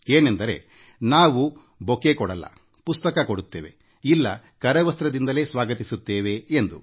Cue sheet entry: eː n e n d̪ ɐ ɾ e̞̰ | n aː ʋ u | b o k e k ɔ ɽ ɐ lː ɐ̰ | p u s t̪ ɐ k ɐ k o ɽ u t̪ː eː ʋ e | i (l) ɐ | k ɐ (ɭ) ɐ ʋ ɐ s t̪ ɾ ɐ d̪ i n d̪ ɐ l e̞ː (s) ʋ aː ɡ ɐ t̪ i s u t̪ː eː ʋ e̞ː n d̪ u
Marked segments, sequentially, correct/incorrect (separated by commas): incorrect, incorrect, correct